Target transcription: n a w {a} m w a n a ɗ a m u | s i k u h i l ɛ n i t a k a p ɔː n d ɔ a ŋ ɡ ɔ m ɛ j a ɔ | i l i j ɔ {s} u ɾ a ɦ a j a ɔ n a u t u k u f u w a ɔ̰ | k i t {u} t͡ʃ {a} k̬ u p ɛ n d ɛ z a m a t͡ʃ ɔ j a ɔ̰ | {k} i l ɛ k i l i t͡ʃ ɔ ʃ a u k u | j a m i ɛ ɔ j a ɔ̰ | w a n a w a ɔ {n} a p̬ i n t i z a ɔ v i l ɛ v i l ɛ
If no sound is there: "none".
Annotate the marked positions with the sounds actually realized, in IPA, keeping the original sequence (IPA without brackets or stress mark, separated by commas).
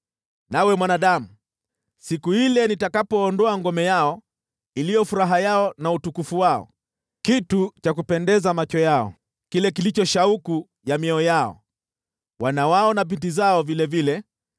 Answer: ɛ, f, u, a, k, n